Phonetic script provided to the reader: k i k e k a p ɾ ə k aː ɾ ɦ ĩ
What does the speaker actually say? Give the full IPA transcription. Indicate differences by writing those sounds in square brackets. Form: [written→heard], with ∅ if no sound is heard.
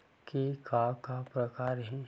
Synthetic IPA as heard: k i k [e→a] k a p ɾ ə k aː ɾ ɦ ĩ